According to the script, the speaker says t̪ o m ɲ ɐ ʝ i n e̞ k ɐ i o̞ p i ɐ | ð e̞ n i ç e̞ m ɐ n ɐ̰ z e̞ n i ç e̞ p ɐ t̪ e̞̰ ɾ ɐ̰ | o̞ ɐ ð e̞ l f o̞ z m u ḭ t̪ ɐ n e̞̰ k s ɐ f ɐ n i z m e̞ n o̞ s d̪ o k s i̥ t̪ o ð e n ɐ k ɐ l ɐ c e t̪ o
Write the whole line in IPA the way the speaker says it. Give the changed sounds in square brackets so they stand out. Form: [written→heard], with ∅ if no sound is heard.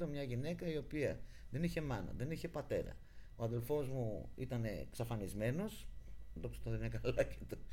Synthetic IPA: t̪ o m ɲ ɐ ʝ i n e̞ k ɐ i o̞ p i ɐ | ð e̞ n i ç e̞ m ɐ n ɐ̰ [z→ð] e̞ n i ç e̞ p ɐ t̪ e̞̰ ɾ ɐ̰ | o̞ ɐ ð e̞ l f o̞ z m u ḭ t̪ ɐ n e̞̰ k s ɐ f ɐ n i z m e̞ n o̞ s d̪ o k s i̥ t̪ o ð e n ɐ k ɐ l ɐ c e t̪ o